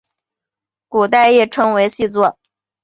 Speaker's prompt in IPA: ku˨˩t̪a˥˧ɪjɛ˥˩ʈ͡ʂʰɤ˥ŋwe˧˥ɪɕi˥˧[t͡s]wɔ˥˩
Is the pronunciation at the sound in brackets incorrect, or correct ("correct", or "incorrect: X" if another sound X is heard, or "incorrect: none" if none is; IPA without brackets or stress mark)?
correct